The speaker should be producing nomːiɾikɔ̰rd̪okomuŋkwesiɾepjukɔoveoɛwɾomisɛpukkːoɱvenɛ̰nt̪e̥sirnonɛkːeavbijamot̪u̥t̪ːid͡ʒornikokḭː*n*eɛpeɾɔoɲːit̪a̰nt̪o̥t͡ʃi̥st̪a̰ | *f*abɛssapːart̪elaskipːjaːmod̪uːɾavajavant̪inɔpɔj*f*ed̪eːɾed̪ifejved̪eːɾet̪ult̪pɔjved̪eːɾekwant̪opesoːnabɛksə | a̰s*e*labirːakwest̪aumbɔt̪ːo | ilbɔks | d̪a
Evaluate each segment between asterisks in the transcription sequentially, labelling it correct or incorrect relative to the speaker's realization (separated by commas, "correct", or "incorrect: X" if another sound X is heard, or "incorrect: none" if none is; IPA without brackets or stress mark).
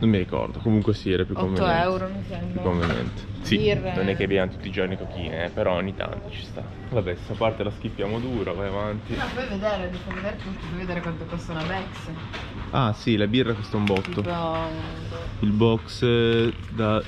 correct, incorrect: v, incorrect: v, incorrect: i